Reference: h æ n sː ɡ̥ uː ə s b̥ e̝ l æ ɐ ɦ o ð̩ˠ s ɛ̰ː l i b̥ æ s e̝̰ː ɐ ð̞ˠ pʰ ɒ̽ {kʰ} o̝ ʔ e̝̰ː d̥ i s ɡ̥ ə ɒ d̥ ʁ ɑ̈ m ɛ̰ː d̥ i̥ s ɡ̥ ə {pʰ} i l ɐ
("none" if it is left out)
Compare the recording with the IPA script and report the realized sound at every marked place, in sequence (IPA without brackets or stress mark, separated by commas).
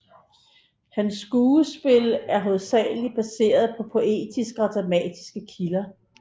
pʰ, kʰ